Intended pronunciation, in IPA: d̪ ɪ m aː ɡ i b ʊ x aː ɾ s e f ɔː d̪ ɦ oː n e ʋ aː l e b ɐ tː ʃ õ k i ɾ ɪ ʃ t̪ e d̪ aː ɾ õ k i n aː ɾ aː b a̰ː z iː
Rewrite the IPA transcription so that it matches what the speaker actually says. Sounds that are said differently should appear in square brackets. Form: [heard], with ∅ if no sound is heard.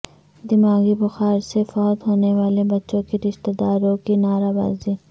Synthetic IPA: d̪ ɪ m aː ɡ i b ʊ x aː ɾ s e f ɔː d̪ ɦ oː n e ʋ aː l e b ɐ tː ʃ õ k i ɾ ɪ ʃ t̪ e d̪ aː ɾ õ k i n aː ɾ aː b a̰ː z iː